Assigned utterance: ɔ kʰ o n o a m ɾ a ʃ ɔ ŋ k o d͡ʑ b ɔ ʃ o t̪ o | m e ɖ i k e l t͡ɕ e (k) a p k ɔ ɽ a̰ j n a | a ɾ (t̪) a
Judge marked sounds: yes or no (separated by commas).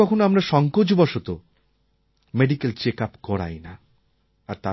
yes, yes